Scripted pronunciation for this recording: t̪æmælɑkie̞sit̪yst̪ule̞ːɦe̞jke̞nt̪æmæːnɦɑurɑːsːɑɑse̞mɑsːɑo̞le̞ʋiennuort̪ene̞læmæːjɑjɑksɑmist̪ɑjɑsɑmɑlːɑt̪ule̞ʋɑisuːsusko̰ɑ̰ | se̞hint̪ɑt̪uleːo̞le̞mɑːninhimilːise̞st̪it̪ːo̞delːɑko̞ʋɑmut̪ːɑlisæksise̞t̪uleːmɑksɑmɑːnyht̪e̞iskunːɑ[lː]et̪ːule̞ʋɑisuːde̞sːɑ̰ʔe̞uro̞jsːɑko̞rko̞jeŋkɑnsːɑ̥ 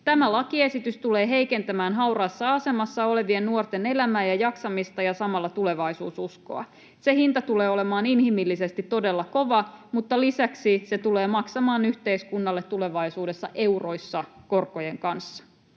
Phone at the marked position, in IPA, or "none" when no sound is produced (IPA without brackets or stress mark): lː